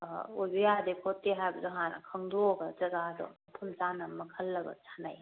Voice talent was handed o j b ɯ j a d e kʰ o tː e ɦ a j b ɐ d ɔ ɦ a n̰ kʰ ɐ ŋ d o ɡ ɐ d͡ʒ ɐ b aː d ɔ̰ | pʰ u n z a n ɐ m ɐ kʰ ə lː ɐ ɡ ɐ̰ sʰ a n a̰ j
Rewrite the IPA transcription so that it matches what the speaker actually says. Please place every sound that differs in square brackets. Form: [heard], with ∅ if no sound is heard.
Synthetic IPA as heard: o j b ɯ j a d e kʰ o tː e ɦ a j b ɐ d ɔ ɦ a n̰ kʰ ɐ ŋ d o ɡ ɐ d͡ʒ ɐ [ɡ] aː d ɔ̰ | pʰ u n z a n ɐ m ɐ kʰ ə lː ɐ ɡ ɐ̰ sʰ a n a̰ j

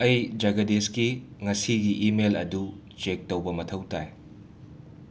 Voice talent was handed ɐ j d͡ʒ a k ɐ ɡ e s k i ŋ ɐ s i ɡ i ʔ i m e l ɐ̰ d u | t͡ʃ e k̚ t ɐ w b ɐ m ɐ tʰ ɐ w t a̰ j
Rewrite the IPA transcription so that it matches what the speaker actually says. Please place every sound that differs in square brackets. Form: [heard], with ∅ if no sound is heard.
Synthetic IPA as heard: ɐ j d͡ʒ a [ɡ] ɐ [d] e s k i ŋ ɐ s i ɡ i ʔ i m e l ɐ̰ d u | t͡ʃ e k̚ t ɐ w b ɐ m ɐ tʰ ɐ w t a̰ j

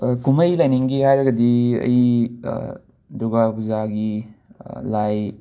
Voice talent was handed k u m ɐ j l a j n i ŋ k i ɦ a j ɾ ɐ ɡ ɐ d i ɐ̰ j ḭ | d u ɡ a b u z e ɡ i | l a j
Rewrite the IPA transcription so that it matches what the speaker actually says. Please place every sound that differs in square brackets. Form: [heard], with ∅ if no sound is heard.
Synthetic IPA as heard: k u m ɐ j l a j n i ŋ [ɡ] i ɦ a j ɾ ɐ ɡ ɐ d i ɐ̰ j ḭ | d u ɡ a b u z [a] ɡ i | l a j

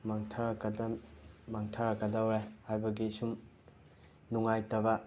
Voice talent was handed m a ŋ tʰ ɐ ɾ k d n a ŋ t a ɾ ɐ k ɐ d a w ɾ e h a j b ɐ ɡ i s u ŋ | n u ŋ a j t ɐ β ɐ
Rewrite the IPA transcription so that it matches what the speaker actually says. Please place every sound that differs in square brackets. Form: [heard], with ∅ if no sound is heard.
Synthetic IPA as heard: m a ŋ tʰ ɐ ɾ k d [m] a ŋ [tʰ] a ɾ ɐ k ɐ d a w ɾ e h a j b ɐ ɡ i s u [m] | n u ŋ a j t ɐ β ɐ

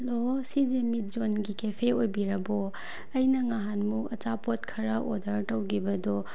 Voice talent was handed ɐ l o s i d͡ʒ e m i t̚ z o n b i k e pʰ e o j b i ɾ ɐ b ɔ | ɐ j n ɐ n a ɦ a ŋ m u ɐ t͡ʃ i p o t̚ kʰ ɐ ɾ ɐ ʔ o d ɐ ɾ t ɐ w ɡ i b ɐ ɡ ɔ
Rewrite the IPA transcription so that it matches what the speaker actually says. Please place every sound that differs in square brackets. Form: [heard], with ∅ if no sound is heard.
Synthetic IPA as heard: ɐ l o s i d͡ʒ e m i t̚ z o n [ɡ] i k e pʰ e o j b i ɾ ɐ b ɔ | ɐ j n ɐ [ŋ] a ɦ a [n] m u ɐ t͡ʃ [a] p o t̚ kʰ ɐ ɾ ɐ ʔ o d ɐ ɾ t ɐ w ɡ i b ɐ [d] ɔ

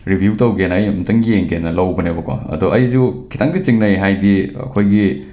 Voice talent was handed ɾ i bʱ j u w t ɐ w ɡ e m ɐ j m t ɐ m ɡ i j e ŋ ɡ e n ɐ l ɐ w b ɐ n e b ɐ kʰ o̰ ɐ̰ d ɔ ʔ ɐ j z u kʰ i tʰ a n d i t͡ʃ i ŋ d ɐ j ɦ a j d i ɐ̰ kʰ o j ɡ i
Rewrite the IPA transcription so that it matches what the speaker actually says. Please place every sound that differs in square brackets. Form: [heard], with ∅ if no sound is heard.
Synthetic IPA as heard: ɾ i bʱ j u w t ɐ w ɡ e [n] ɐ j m t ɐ [ŋ] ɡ i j e ŋ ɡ e n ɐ l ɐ w b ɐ n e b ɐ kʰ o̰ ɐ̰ d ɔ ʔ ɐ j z u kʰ i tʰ a [ŋ] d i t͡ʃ i ŋ [n] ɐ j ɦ a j d i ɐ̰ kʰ o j ɡ i

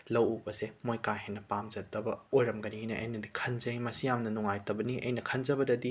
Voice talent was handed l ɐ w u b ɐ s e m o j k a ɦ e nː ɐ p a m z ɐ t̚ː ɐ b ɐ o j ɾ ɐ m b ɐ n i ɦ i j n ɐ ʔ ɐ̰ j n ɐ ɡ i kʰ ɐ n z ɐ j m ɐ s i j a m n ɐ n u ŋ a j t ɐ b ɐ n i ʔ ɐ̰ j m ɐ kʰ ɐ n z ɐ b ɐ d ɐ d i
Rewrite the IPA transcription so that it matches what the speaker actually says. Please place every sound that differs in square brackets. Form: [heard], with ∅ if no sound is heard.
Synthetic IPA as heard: l ɐ w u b ɐ s e m o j k a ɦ e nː ɐ p a m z ɐ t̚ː ɐ b ɐ o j ɾ ɐ m [ɡ] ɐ n i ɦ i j n ɐ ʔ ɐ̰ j n ɐ [d] i kʰ ɐ n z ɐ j m ɐ s i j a m n ɐ n u ŋ a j t ɐ b ɐ n i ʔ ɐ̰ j [n] ɐ kʰ ɐ n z ɐ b ɐ d ɐ d i

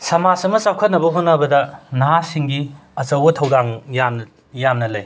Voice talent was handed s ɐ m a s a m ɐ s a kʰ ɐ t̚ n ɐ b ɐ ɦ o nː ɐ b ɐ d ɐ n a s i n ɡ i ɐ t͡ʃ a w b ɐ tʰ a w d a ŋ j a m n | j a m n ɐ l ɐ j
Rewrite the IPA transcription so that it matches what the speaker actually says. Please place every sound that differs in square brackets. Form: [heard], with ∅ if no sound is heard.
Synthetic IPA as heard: s ɐ m a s [ɐ] m ɐ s a kʰ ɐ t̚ n ɐ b ɐ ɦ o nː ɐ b ɐ d ɐ n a s i [ŋ] ɡ i ɐ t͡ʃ [ɐ] w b ɐ tʰ [ɐ] w d a ŋ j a m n | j a m n ɐ l ɐ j

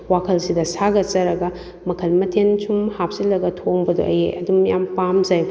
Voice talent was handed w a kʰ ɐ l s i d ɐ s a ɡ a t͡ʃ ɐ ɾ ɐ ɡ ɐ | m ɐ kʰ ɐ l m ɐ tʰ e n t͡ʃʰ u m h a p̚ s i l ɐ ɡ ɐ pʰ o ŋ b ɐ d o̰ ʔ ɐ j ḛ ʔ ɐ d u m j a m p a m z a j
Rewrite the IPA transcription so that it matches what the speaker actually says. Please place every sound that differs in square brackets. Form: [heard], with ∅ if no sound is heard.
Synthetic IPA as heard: w a kʰ ɐ l s i d ɐ s a ɡ [ɐ] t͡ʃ ɐ ɾ ɐ ɡ ɐ | m ɐ kʰ ɐ l m ɐ tʰ e n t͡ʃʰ u m h a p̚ s i l ɐ ɡ ɐ [tʰ] o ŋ b ɐ d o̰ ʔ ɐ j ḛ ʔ ɐ d u m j a m p a m z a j

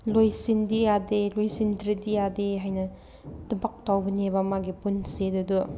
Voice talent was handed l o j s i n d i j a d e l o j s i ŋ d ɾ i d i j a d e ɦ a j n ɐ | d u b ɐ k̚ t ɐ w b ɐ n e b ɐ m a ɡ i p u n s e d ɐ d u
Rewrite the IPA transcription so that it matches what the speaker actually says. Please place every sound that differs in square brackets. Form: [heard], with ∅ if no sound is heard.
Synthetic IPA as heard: l o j s i n d i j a d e l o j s i [n] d ɾ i d i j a d e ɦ a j n ɐ | d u b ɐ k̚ t [a] w b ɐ n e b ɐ m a ɡ i p u n s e d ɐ d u

